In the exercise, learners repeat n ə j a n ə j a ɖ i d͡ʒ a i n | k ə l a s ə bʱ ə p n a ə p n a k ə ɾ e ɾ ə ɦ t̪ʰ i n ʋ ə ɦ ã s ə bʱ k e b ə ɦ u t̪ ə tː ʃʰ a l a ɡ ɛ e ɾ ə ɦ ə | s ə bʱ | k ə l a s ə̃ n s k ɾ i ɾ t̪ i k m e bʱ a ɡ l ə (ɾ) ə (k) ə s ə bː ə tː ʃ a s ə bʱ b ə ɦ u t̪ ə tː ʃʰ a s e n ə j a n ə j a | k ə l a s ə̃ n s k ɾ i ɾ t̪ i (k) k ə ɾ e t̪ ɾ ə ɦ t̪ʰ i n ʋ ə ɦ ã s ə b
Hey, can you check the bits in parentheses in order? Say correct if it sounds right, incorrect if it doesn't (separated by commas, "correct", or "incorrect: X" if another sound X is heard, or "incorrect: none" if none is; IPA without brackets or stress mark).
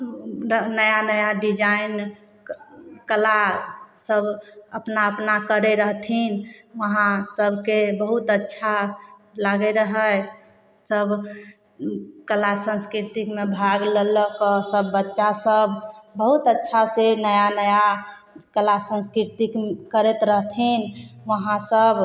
incorrect: l, correct, correct